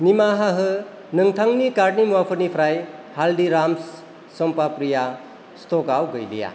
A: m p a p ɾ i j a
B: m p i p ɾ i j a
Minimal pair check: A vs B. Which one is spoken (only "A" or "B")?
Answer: A